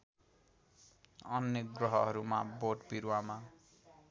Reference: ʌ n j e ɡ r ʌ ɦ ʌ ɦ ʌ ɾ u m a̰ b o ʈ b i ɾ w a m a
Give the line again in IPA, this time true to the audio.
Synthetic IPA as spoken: ʌ n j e ɡ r ʌ ɦ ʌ ɦ ʌ ɾ u m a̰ b o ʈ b i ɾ w a m a